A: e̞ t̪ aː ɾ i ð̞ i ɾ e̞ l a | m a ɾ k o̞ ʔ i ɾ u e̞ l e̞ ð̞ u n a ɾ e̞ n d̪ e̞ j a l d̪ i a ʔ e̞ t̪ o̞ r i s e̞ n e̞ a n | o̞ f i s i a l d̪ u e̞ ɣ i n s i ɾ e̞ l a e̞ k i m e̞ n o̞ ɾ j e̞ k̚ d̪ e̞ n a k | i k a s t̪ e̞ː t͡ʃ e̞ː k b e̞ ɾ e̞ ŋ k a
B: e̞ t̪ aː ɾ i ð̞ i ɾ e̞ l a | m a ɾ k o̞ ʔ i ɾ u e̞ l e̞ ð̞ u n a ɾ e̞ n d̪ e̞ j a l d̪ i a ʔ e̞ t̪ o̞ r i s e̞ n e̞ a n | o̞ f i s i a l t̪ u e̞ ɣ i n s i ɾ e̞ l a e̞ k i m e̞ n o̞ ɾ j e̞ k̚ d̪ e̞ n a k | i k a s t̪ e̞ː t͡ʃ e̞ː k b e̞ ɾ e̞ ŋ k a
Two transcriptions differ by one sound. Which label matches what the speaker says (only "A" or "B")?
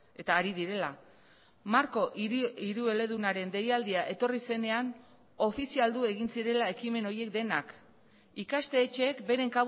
A